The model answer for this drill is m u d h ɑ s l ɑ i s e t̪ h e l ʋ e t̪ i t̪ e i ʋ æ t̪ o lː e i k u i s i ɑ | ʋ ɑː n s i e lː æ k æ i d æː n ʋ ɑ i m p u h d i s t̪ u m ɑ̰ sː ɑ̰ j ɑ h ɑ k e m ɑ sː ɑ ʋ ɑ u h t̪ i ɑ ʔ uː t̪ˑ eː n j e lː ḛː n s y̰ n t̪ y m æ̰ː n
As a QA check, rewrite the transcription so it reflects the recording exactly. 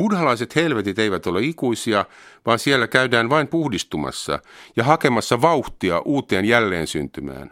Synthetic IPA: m u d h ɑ l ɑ i s e t̪ h e l ʋ e t̪ i t̪ e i ʋ æ t̪ o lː e i k u i s i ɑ | ʋ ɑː n s i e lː æ k æ y d æː n ʋ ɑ i m p u h d i s t̪ u m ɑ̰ sː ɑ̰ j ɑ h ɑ k e m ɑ sː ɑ ʋ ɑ u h t̪ i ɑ ʔ uː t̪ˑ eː n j æ lː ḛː n s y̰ n t̪ y m æ̰ː n